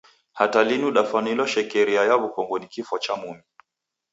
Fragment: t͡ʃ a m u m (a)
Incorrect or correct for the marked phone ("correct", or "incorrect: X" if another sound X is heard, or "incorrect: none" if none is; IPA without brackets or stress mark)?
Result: incorrect: i